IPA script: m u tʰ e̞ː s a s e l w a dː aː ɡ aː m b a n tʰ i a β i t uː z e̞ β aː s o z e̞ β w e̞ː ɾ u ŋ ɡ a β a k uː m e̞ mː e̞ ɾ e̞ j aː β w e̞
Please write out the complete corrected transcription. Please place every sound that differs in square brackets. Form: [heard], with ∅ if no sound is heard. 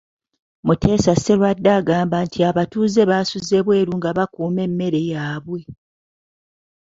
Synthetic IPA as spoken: m u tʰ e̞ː s a s e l w a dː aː ɡ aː m b a n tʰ i a β [a] t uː z e̞ β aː s [u] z e̞ β w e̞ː ɾ u ŋ ɡ a β a k uː m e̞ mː e̞ ɾ e̞ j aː β w e̞